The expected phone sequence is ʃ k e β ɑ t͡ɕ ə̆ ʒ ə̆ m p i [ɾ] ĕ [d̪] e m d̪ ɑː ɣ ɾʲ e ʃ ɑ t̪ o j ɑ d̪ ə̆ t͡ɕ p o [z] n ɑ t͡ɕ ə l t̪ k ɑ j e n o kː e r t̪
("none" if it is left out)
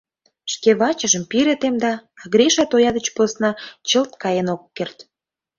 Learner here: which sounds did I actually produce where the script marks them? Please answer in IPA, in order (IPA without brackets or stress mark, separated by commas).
ɾ, t̪, s